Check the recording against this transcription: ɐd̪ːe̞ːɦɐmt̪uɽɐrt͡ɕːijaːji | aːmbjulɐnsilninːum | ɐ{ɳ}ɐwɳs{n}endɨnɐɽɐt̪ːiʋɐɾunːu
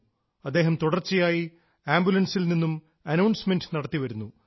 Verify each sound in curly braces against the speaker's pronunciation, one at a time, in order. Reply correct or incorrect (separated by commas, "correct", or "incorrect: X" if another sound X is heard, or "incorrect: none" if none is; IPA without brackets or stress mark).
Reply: incorrect: n, incorrect: m